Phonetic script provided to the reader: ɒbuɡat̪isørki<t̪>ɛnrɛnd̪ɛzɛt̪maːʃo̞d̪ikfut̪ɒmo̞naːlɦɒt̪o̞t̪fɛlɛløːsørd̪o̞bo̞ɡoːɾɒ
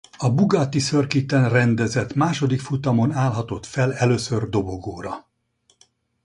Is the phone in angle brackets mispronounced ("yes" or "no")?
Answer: no